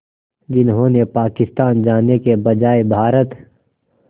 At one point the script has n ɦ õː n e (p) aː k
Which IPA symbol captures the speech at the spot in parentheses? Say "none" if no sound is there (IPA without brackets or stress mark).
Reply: p